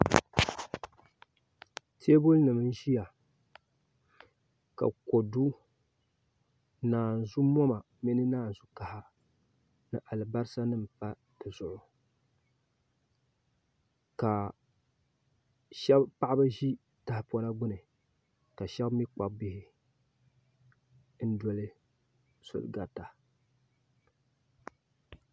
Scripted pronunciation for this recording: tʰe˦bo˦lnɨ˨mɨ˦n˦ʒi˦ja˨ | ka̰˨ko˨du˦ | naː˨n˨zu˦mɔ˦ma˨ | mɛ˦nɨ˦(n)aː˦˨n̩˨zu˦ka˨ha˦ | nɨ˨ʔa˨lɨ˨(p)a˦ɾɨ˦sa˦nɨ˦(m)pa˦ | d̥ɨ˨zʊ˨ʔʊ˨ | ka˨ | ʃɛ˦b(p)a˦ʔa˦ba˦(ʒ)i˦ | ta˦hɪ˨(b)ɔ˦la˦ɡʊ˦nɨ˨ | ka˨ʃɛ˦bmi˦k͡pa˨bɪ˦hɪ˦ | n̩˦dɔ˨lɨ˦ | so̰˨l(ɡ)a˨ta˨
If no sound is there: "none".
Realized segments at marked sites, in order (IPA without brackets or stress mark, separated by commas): n, b, m, p, ʒ, p, ɡ